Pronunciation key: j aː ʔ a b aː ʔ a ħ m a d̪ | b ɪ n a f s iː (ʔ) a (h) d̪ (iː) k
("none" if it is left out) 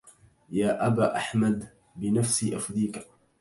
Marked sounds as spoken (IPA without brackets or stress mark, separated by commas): ʔ, f, iː